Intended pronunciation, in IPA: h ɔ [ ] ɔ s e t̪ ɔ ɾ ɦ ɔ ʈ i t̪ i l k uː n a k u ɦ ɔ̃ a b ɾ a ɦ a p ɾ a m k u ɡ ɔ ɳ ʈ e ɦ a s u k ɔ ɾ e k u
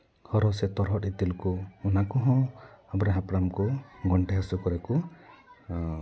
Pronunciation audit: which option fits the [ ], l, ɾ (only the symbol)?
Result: ɾ